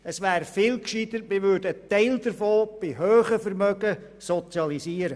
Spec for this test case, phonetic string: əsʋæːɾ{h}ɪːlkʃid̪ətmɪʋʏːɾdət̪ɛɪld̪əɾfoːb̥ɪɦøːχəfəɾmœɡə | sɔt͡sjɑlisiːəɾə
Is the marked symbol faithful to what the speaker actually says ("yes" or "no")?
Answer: no